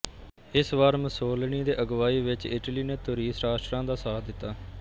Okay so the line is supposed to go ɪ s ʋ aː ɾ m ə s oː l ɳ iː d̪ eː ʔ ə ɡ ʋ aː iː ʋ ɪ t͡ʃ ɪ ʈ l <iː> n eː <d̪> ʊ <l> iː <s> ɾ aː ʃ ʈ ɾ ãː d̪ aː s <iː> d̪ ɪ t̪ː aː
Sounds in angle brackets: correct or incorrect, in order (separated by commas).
correct, incorrect, incorrect, correct, incorrect